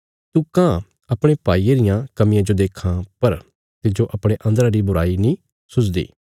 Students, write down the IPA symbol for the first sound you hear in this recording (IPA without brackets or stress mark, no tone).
t̪